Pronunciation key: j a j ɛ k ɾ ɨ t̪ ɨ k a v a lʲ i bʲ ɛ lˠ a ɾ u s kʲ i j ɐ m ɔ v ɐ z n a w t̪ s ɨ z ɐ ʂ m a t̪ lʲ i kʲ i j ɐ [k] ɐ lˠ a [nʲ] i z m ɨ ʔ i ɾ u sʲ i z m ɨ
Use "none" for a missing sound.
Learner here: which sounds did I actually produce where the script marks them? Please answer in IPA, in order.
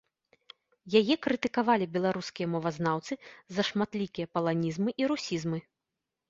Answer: p, nʲ

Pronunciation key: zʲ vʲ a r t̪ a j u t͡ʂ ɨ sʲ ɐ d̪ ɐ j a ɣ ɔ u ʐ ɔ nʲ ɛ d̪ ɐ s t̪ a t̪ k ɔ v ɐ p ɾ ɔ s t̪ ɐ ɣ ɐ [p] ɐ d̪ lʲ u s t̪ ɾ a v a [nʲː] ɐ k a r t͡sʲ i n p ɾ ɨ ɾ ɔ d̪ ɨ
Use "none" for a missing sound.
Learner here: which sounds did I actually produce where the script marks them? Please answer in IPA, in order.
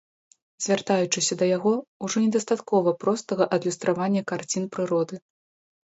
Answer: ʔ, nʲː

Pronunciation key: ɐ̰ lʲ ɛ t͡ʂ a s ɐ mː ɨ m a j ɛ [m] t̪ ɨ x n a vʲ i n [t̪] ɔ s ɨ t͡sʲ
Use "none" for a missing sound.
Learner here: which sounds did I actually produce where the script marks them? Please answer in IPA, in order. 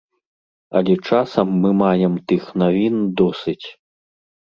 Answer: m, d̪

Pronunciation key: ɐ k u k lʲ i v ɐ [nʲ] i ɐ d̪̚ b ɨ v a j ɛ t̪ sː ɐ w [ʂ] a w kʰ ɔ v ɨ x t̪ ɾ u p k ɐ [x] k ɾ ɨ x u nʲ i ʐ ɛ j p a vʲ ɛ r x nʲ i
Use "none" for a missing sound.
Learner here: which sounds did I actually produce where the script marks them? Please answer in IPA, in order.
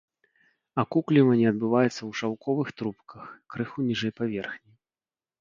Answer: nʲ, ʂ, x

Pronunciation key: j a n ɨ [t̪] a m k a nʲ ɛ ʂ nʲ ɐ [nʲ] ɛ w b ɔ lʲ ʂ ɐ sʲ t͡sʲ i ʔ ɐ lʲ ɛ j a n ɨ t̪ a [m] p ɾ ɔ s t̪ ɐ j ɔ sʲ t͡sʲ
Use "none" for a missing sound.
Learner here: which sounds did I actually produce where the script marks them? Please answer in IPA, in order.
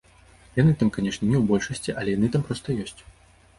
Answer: t̪, nʲ, m

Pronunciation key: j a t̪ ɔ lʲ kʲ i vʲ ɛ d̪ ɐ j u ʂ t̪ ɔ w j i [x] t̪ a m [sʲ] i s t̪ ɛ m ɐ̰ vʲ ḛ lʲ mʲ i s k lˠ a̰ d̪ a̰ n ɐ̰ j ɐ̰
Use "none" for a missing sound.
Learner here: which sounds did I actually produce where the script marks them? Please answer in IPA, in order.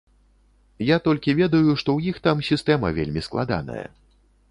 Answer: x, sʲ

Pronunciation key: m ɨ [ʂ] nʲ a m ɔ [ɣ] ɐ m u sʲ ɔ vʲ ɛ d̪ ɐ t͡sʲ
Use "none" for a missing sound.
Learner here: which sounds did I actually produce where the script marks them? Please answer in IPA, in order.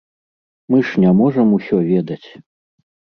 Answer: ʂ, ʐ

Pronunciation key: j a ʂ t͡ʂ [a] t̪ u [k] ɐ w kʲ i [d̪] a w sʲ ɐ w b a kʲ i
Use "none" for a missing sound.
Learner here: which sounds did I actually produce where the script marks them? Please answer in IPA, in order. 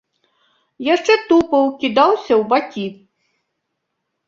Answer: ɛ, p, d̪

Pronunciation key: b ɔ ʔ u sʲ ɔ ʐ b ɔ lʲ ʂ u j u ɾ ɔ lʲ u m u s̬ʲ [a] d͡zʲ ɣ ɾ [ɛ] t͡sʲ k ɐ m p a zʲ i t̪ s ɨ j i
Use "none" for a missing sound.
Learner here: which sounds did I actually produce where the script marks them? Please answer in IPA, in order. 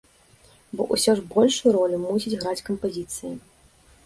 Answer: i, a

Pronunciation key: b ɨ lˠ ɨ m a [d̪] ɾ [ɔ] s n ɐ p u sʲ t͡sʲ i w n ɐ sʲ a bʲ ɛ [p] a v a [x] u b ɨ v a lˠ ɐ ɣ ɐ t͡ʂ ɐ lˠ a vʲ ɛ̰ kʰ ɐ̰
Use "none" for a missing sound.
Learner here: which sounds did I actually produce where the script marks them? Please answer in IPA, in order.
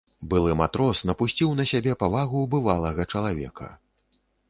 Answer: t̪, ɔ, p, ɣ

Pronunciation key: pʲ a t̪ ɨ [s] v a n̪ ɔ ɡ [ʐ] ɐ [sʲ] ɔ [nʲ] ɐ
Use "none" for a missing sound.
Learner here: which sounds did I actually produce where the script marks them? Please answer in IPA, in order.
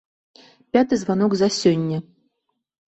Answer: z, z, sʲ, nʲː

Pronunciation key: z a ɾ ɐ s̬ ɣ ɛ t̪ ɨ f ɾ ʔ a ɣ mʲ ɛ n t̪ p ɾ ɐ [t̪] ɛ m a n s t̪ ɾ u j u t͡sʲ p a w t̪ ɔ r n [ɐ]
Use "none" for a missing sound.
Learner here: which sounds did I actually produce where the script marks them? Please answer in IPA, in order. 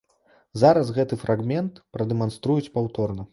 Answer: d̪, ɐ

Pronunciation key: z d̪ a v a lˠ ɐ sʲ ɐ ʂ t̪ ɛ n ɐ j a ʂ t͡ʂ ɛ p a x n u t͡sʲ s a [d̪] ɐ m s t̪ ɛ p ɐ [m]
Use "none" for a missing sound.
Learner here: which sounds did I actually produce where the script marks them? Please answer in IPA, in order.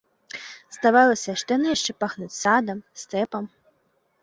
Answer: d̪, m

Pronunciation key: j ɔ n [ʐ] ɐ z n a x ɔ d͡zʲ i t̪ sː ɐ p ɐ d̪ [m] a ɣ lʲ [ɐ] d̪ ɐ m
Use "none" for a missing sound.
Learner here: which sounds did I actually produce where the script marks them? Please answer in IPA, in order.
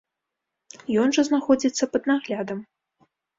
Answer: ʐ, n, a

